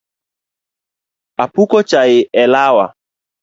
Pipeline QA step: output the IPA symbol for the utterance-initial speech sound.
a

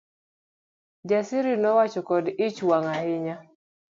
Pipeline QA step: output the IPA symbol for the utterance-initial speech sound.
d͡ʒ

